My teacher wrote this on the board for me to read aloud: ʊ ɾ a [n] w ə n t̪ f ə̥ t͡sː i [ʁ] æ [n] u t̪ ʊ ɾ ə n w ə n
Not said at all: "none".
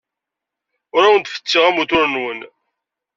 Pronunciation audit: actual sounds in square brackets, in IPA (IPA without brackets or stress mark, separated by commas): none, ʁ, m